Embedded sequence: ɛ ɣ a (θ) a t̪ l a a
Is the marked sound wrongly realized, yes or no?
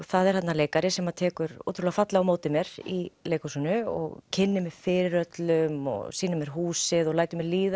yes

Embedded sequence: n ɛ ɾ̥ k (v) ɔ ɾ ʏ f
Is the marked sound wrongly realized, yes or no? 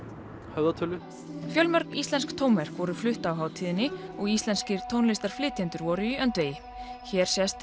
no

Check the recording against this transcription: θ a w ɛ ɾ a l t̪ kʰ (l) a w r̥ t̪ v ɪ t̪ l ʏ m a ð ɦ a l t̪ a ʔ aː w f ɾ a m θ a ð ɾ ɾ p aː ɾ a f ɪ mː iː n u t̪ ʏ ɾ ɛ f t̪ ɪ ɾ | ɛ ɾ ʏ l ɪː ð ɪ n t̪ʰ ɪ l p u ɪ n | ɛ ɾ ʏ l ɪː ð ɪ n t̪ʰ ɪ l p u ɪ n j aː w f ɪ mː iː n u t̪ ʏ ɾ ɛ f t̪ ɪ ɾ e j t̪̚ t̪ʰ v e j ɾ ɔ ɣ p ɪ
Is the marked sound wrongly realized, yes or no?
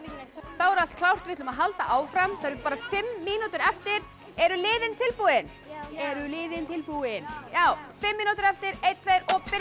no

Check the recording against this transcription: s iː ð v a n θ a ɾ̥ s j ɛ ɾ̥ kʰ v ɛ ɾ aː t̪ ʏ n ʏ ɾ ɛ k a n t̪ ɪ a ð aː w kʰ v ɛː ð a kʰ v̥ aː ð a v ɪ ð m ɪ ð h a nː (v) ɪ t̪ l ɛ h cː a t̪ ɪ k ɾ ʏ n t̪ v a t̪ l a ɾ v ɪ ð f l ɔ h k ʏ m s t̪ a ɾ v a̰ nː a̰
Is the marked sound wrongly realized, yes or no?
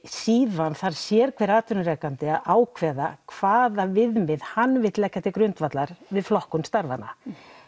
no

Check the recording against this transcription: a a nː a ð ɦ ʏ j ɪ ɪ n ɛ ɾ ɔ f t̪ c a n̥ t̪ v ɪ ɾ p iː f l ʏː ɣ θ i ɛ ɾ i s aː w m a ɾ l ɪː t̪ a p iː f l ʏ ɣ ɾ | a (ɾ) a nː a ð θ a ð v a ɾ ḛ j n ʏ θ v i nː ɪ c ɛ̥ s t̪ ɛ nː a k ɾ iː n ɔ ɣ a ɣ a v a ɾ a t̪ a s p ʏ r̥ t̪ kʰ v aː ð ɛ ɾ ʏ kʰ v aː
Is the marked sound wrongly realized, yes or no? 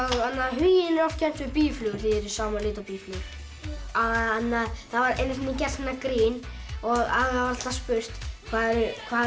yes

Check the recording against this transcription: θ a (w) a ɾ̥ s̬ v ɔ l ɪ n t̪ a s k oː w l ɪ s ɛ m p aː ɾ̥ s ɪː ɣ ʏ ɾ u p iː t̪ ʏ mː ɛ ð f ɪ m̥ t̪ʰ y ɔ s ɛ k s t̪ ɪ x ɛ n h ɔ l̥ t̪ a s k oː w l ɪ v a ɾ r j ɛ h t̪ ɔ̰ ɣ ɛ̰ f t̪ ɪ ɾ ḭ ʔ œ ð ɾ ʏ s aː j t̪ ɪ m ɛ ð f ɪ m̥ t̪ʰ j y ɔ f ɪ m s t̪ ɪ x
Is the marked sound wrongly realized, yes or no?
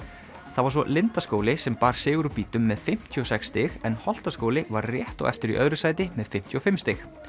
yes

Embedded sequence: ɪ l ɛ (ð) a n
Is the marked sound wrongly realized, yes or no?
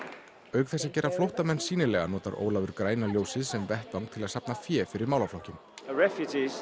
yes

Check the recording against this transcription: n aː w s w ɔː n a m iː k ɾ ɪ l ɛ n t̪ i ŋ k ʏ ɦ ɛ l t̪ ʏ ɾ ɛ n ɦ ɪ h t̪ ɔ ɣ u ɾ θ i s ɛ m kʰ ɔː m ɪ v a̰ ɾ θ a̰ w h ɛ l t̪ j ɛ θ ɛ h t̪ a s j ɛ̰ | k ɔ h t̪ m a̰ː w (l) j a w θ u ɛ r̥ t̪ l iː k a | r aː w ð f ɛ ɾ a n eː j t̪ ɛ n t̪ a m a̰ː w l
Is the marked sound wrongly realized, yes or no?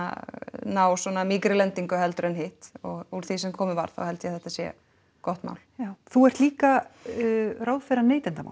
no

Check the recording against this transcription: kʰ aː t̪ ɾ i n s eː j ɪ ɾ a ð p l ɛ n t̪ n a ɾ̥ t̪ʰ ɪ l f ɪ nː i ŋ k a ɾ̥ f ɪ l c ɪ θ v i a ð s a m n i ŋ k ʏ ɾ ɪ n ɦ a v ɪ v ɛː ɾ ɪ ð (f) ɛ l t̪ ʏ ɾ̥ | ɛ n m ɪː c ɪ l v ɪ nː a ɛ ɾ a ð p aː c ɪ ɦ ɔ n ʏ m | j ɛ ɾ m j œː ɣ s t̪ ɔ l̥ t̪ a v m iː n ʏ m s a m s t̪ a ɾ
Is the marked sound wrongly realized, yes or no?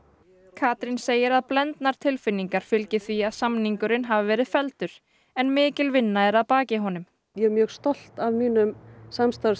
no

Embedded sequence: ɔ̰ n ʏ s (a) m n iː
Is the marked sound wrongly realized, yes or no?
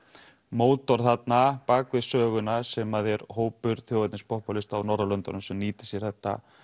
yes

